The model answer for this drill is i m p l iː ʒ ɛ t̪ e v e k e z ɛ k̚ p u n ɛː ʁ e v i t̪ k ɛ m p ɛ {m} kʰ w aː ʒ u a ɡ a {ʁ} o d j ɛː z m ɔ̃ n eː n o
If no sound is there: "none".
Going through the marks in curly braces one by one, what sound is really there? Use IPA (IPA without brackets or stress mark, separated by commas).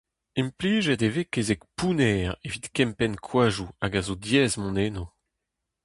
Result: n, z